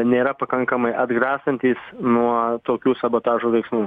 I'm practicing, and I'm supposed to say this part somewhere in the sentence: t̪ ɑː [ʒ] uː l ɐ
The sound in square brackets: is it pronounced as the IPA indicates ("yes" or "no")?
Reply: yes